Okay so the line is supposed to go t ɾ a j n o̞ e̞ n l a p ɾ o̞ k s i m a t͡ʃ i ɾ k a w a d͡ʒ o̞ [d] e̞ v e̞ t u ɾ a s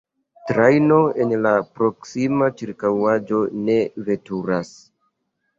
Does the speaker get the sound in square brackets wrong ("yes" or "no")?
yes